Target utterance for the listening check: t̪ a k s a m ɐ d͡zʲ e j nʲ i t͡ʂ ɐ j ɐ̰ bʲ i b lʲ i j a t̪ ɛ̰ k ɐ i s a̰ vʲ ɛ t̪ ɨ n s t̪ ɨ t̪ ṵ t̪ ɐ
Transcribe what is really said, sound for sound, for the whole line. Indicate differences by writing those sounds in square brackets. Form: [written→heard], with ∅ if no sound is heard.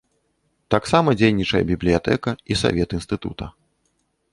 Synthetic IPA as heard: t̪ a k s a m ɐ d͡zʲ e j nʲ i t͡ʂ ɐ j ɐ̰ bʲ i b lʲ i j a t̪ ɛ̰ k ɐ i s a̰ vʲ ɛ t̪ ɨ n s t̪ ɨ t̪ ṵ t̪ ɐ